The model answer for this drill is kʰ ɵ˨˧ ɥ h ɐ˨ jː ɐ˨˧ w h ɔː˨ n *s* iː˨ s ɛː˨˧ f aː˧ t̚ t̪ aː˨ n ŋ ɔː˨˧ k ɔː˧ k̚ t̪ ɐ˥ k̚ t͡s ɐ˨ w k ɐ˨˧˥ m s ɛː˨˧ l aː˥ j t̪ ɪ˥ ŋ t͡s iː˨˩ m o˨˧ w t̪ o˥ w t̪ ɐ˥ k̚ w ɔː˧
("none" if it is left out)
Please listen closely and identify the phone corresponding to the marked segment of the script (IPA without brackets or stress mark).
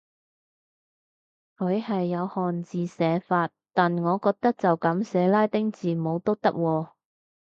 t͡s